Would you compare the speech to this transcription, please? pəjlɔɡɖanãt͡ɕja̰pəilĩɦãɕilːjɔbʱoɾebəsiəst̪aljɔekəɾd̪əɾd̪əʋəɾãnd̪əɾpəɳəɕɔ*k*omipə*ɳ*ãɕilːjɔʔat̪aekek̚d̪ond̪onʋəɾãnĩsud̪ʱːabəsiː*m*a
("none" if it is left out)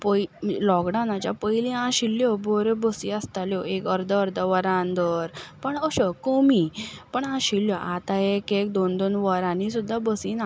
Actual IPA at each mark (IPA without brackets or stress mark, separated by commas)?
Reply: k, ɳ, n